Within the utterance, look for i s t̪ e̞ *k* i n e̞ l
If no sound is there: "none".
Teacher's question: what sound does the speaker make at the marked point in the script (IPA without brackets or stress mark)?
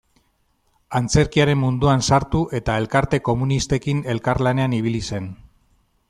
k